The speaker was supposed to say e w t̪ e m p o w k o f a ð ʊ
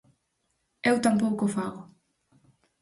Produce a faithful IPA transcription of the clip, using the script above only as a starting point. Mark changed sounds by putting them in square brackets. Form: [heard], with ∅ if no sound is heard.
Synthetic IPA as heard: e w t̪ [a] m p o w k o f a [ɣ] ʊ

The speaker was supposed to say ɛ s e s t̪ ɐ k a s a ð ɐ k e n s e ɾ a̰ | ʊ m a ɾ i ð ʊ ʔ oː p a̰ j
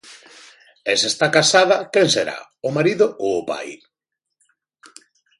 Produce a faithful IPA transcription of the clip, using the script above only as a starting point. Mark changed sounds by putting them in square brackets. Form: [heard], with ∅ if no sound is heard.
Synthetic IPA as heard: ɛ s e s t̪ [a] k a s a ð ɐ k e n s e ɾ a̰ | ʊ m a ɾ i ð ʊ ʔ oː p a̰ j

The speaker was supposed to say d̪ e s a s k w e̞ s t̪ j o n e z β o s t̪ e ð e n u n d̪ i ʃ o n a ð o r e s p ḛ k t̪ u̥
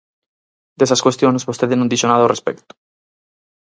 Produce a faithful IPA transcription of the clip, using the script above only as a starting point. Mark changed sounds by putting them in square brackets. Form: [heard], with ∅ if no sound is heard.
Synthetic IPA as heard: d̪ e s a s k w e̞ s t̪ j o n e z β o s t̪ e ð e n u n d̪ i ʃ o n a ð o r e s p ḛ k t̪ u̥

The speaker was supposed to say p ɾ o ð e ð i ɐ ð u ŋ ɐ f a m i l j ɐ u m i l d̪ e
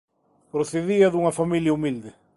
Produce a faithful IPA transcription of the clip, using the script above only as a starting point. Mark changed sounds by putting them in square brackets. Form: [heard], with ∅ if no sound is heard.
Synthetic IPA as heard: p ɾ o [θ] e ð i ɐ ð u ŋ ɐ f a m i l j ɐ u m i l d̪ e

